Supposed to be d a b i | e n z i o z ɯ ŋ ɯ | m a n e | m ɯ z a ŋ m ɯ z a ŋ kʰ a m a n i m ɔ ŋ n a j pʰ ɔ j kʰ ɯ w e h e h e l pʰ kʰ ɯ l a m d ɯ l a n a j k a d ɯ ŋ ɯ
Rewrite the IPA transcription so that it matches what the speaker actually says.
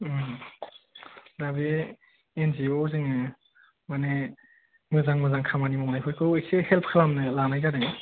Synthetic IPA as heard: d a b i | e n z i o z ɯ ŋ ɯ | m a n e | m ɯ z a ŋ m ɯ z a ŋ kʰ a m a n i m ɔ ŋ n a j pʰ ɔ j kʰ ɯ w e s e h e l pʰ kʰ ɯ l a m n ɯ l a n a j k a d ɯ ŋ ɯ